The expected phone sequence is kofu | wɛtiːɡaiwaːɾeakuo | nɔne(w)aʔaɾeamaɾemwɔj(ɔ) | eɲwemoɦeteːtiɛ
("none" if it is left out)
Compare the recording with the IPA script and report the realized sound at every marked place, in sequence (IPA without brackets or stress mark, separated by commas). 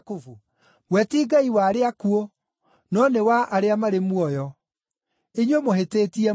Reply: w, ɔ